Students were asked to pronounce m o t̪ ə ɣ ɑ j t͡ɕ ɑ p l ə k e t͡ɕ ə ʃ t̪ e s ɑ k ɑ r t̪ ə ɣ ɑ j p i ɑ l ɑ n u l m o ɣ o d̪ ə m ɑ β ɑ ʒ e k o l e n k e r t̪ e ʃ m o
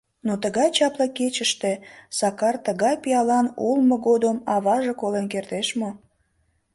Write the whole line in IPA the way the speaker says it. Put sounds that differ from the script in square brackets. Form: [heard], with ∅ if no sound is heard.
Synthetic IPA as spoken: [n] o t̪ ə ɣ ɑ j t͡ɕ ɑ p l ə k e t͡ɕ ə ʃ t̪ e s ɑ k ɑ r t̪ ə ɣ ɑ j p i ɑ l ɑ n u l m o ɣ o d̪ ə m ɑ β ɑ ʒ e k o l e n k e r t̪ e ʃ m o

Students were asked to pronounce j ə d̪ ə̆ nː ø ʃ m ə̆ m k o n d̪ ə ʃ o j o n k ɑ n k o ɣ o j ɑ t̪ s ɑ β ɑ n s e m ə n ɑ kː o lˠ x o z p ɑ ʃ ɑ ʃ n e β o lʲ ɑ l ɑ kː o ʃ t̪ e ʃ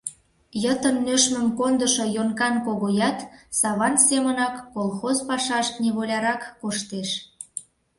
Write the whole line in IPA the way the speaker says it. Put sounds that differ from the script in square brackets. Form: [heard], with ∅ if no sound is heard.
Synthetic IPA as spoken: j ə [t̪] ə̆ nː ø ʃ m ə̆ m k o n d̪ ə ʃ o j o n k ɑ n k o ɣ o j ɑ t̪ s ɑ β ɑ n s e m ə n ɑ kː o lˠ x o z p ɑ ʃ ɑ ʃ n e β o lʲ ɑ [ɾ] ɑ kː o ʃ t̪ e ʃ

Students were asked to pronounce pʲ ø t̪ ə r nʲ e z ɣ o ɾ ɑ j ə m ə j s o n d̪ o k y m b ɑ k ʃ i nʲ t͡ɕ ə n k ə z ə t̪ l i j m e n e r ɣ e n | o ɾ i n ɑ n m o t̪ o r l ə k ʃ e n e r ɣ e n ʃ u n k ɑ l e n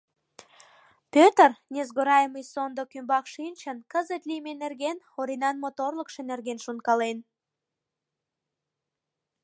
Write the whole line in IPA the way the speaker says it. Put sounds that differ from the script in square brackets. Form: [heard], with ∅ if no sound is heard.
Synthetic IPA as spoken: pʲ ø t̪ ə r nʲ e z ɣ o ɾ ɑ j ə m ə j s o n d̪ o k y m b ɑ k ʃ i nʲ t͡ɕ ə n k ə z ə t̪ l i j m e n e r ɣ e n | o ɾ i n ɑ n m o t̪ o r l ə k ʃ e n e r ɣ e n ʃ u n k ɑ l e n

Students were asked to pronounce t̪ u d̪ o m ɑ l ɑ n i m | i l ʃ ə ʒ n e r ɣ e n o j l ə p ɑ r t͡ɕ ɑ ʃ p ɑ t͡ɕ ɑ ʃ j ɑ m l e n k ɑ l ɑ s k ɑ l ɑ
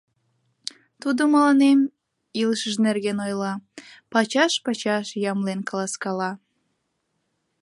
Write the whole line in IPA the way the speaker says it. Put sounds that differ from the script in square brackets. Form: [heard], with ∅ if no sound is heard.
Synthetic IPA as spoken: t̪ u d̪ o m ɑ l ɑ n [e] m | i l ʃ ə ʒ n e r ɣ e n o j l [ɑ] p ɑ [∅] t͡ɕ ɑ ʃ p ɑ t͡ɕ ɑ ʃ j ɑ m l e n k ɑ l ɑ s k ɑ l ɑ

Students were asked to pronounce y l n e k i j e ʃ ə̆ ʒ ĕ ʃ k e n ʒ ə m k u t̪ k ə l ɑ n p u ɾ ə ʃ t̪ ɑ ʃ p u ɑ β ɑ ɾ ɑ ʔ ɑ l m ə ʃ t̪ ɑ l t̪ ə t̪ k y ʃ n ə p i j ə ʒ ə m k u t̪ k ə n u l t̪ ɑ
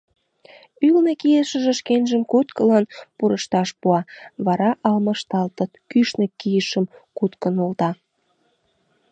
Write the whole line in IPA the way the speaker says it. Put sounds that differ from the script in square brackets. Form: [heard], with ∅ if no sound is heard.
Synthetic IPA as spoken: y l n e k i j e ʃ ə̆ ʒ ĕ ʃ k e n ʒ ə m k u t̪ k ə l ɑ n p u ɾ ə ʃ t̪ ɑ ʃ p u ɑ β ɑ ɾ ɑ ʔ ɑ l m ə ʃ t̪ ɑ l t̪ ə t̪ k y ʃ n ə [k] i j ə [ʃ] ə m k u t̪ k ə n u l t̪ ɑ

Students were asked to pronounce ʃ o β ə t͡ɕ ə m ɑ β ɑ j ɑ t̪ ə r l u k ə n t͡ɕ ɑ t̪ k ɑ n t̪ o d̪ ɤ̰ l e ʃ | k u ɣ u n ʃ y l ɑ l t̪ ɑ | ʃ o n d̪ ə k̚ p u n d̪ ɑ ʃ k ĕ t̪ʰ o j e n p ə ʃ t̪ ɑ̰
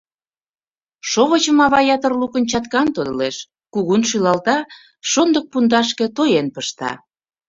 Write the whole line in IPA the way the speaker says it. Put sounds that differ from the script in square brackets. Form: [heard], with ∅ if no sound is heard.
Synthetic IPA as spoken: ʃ o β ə t͡ɕ ə m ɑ β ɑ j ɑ t̪ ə r l u k ə n t͡ɕ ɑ t̪ k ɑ n t̪ o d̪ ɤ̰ l e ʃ | k u ɣ u n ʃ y l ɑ l t̪ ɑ | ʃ o n d̪ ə k̚ p u n d̪ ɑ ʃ k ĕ [t̪] o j e n p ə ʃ t̪ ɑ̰

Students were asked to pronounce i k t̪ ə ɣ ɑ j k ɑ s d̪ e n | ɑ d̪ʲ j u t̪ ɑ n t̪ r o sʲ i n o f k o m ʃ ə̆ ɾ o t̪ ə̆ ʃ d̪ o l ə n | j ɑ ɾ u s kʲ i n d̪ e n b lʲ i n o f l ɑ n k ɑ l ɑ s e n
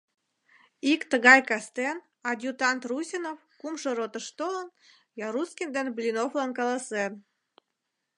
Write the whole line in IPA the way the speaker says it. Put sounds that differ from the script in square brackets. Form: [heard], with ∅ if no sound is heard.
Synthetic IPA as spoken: i k t̪ ə ɣ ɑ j k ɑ s [t̪] e n | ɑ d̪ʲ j u t̪ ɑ n t̪ r [u] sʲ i n o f k [u] m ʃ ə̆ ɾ o t̪ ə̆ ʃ [t̪] o l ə n | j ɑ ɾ u s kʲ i n d̪ e n b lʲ i n o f l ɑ n k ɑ l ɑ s e n

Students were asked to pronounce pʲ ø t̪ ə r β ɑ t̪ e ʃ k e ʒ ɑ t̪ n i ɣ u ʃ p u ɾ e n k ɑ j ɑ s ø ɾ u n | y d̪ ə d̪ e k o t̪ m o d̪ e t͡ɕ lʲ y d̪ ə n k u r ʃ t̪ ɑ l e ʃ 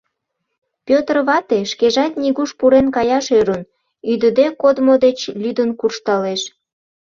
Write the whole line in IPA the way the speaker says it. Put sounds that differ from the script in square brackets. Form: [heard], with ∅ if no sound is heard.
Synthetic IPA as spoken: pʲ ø t̪ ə r β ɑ t̪ e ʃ k e ʒ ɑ t̪ n i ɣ u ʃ p u ɾ e n k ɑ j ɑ [ʃ] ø ɾ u n | y d̪ ə d̪ e k o [d̪] m o d̪ e t͡ɕ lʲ y d̪ ə n k u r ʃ t̪ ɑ l e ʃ

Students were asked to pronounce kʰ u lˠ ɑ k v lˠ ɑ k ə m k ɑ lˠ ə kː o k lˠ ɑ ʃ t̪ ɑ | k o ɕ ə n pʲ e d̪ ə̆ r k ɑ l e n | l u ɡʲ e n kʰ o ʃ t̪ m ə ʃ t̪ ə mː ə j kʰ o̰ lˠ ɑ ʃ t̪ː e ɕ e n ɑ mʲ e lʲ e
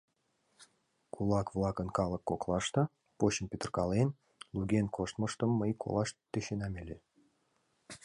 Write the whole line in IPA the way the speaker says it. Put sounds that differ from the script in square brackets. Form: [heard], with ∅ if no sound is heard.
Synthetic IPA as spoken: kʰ u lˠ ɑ k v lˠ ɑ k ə [n] k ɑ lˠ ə kː o k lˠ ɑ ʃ t̪ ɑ | [p] o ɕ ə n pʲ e [t̪] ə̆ r k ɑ l e n | l u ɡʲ e n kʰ o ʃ t̪ m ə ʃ t̪ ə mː ə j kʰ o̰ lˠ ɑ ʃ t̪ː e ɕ e n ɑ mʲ e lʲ e

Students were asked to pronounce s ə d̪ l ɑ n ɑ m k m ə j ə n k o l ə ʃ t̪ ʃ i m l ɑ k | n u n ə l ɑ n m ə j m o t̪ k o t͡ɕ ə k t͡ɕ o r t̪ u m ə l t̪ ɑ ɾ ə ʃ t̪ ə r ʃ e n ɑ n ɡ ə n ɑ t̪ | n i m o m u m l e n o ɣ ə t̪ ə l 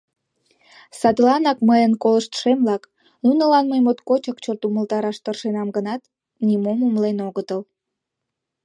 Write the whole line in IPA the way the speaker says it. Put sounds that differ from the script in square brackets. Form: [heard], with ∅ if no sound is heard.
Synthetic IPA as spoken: s [ɑ] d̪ l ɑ n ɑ [∅] k m ə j ə n k o l ə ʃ t̪ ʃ [e] m l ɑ k | n u n ə l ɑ n m ə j m o t̪ k o t͡ɕ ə k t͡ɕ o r t̪ u m ə l t̪ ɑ ɾ [ɑ] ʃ t̪ ə r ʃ e n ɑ [m] ɡ ə n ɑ t̪ | n i m o m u m l e n o ɣ ə t̪ ə l

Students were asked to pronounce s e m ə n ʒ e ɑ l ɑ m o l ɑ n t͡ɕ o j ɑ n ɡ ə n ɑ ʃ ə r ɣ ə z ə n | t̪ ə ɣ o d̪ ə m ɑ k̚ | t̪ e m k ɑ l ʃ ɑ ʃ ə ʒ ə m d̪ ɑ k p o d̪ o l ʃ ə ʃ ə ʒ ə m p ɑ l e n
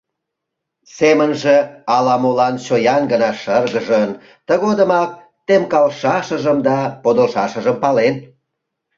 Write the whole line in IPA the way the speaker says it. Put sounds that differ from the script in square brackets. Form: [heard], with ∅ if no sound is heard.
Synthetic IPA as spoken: s e m ə n ʒ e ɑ l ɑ m o l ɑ n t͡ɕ o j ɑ n ɡ ə n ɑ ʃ ə r ɣ ə [ʒ] ə n | t̪ ə ɣ o d̪ ə m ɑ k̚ | t̪ e m k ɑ l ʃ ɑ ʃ ə ʒ ə m d̪ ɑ [∅] p o d̪ o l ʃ [ɑ] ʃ ə ʒ ə m p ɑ l e n

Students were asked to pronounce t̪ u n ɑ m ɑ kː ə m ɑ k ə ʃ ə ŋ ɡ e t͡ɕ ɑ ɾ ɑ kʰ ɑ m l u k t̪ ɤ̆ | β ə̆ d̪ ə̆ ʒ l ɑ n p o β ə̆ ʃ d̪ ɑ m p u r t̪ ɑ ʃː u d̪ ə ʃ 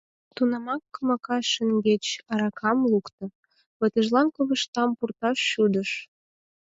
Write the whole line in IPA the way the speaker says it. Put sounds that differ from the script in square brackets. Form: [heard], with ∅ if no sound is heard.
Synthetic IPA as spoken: t̪ u n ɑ m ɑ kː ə m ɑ k [ɑ] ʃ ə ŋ ɡ e t͡ɕ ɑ ɾ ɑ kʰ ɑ m l u k t̪ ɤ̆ | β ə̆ [t̪] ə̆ ʒ l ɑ n [k] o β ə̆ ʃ [t̪] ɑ m p u r t̪ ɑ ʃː u d̪ ə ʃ

